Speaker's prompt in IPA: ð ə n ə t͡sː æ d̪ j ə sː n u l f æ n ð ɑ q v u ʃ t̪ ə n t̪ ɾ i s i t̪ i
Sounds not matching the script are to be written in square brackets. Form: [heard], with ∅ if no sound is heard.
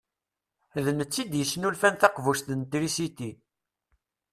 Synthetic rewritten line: ð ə n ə t͡sː [i] d̪ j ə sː n u l f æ n [θ] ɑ q v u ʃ t̪ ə n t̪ ɾ i s i t̪ i